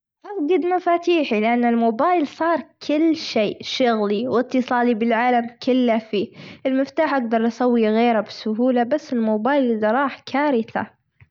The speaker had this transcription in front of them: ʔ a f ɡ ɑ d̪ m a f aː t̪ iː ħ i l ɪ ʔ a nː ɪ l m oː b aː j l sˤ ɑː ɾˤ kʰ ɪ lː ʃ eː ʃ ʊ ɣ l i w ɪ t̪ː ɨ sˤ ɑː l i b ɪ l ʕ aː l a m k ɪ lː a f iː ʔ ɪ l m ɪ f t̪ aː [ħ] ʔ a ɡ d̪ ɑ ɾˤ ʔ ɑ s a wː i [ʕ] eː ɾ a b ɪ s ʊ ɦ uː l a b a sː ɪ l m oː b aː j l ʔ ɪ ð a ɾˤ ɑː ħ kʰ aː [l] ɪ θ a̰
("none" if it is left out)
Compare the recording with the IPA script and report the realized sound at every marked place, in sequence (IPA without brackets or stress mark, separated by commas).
ħ, ɣ, ɾ